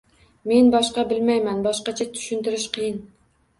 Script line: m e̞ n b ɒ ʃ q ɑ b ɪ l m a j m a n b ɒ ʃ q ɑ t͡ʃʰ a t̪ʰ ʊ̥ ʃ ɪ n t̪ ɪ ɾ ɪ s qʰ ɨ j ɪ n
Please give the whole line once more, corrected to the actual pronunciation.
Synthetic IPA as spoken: m e̞ n b ɒ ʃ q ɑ b ɪ l m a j m a n b ɒ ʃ q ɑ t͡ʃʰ a t̪ʰ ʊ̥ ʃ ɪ n t̪ ɪ ɾ ɪ ʃ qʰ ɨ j ɪ n

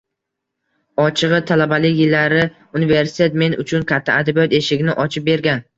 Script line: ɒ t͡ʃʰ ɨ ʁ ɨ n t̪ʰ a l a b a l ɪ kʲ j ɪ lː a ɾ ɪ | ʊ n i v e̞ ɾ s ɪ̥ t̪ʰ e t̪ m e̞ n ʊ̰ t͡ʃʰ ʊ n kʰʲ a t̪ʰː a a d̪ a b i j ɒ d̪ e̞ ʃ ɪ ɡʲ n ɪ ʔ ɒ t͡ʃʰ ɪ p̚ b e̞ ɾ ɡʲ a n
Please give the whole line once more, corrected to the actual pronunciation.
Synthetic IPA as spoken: ɒ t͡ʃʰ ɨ ʁ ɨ t̪ʰ a l a b a l ɪ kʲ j ɪ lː a ɾ ɪ | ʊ n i v e̞ ɾ s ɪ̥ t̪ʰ e t̪ m e̞ n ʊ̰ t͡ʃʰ ʊ n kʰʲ a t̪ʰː a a d̪ a b i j ɒ t̪ e̞ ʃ ɪ ɡʲ n ɪ ʔ ɒ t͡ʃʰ ɪ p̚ b e̞ ɾ ɡʲ a n

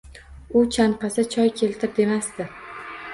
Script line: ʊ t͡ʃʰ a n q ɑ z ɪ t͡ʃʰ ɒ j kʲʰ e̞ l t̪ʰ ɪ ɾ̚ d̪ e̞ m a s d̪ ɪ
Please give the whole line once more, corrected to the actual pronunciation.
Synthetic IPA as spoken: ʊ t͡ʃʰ a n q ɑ s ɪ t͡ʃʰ ɒ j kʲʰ e̞ l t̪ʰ ɪ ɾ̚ d̪ e̞ m a s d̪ ɪ

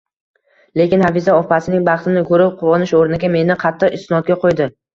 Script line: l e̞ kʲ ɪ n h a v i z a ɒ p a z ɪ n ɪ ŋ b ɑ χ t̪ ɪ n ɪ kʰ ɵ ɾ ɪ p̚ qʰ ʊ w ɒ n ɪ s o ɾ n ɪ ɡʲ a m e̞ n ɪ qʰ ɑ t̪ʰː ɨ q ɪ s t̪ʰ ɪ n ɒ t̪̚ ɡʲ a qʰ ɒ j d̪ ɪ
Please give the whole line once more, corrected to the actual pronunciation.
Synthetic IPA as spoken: l e̞ kʲ ɪ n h a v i z a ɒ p a s ɪ n ɪ ŋ b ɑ χ t̪ ɪ n ɪ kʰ ɵ ɾ ɪ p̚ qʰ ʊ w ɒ n ɪ ʃ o ɾ n ɪ ɡʲ a m e̞ n ɪ qʰ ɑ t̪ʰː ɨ q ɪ s t̪ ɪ n ɒ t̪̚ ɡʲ a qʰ o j d̪ ɪ

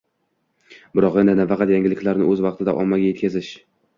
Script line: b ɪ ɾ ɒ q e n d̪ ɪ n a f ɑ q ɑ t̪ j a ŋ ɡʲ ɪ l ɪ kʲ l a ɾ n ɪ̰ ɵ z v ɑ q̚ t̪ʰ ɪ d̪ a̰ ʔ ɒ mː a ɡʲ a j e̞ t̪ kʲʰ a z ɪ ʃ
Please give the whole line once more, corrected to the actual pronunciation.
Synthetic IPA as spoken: b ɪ ɾ ɒ q e n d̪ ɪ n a f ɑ q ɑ t̪ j a ŋ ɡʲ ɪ l ɪ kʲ l a ɾ n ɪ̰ ɵ z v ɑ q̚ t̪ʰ ɪ d̪ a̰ ʔ ɒ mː a ɡʲ a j e̞ t̪ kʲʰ a z ɪ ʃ

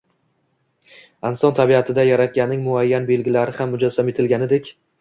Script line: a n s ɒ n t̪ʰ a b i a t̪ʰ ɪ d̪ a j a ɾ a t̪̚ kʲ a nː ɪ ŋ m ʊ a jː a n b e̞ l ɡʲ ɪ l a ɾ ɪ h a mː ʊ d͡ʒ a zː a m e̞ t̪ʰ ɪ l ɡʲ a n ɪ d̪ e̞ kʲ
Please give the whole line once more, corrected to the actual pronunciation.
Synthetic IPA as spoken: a n s ɒ n t̪ʰ a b i a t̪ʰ ɪ d̪ a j a ɾ a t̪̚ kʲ a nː ɪ ŋ m ʊ a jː a n b e̞ l ɡʲ ɪ l a ɾ ɪ h a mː ʊ d͡ʒ a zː a m e̞ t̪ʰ ɪ l ɡʲ a n ɪ d̪ e̞ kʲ

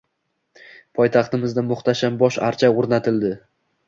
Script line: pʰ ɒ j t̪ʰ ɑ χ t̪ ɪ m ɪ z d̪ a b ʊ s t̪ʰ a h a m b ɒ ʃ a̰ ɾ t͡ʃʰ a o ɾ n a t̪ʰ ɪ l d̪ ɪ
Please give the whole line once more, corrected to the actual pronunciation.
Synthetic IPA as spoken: pʰ ɒ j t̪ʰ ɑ χ t̪ ɪ m ɪ z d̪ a m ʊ χ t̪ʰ a ʃ a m b ɒ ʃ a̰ ɾ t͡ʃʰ a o ɾ n a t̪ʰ ɪ l d̪ ɪ

